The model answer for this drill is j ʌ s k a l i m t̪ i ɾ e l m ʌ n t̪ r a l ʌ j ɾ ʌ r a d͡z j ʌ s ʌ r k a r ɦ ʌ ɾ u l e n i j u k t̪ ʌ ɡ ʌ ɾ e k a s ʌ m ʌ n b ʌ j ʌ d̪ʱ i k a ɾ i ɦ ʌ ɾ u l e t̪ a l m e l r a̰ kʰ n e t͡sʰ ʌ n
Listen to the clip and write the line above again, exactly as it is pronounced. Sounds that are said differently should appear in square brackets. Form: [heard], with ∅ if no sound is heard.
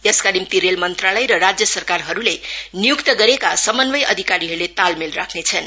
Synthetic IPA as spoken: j ʌ s k a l i m t̪ i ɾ e l m ʌ n t̪ r a l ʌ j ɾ ʌ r a d͡z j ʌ s ʌ r k a r ɦ ʌ ɾ u l e n i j u k t̪ ʌ ɡ ʌ ɾ e k a s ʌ m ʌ n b ʌ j ʌ d̪ʱ i k a ɾ i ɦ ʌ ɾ u l e t̪ a l m e l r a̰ kʰ n e t͡sʰ ʌ n